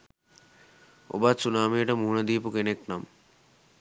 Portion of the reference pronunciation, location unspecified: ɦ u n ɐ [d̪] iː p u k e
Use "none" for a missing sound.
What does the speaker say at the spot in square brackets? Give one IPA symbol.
d̪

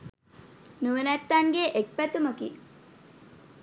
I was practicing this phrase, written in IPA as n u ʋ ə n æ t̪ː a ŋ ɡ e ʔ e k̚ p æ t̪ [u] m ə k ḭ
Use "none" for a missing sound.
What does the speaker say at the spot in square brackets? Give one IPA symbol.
u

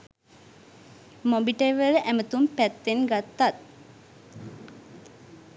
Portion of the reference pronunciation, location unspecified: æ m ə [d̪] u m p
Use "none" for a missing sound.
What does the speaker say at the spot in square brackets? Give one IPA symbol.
t̪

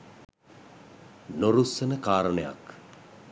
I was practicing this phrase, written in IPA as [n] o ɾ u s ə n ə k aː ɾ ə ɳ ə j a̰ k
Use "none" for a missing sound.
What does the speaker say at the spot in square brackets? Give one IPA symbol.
n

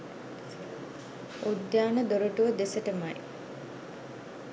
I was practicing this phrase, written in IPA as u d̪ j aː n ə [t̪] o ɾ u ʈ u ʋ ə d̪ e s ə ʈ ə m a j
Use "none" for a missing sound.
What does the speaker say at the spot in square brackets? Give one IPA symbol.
d̪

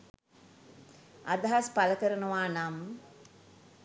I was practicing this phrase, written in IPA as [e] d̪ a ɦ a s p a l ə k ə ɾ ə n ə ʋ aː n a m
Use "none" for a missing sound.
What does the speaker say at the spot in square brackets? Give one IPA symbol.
a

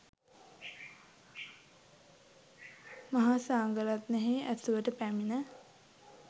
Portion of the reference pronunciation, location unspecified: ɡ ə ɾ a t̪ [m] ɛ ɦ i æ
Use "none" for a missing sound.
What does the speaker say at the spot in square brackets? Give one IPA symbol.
n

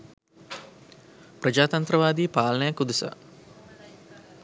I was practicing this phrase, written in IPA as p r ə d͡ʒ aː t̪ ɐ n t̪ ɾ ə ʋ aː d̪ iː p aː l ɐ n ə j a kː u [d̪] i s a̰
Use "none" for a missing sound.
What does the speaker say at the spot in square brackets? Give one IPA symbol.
d̪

